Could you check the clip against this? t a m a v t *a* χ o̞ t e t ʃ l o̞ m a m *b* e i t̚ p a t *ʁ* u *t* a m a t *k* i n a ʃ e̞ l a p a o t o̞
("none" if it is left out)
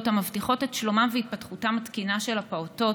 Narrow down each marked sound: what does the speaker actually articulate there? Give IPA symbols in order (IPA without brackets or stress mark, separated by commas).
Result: i, v, χ, t, k